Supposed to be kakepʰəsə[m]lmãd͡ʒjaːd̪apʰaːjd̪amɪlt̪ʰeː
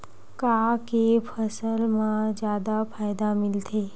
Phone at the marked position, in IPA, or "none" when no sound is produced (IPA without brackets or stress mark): none